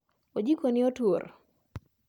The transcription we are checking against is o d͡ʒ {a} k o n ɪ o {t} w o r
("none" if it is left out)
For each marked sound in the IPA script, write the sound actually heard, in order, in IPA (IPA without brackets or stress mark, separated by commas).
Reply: i, t